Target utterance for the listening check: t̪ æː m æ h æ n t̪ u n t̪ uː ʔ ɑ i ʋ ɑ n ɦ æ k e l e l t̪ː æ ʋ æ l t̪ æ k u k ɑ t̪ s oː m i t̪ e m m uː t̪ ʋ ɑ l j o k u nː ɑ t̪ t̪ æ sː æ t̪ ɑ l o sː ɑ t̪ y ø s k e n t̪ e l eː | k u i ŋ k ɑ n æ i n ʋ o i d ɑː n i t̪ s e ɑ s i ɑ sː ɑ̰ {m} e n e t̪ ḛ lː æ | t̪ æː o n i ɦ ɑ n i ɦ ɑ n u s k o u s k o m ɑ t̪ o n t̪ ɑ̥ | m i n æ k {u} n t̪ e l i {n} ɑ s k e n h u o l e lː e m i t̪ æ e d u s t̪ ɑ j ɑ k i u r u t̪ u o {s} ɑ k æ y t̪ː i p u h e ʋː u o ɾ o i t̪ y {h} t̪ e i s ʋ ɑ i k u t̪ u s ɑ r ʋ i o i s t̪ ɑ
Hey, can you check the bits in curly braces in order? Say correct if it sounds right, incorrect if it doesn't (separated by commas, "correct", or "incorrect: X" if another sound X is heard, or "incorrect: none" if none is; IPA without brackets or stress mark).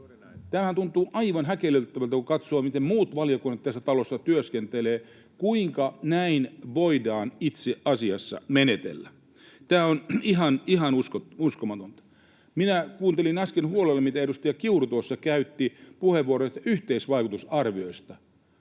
correct, incorrect: uː, correct, incorrect: sː, correct